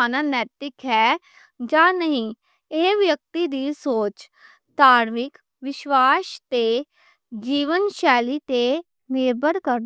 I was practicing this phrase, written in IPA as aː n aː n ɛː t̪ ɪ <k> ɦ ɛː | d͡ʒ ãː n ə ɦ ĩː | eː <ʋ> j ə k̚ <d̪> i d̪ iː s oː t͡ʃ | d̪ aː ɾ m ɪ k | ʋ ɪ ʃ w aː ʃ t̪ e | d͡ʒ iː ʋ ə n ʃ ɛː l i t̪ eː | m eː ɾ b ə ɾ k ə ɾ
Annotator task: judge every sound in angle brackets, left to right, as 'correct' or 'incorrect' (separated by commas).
correct, correct, incorrect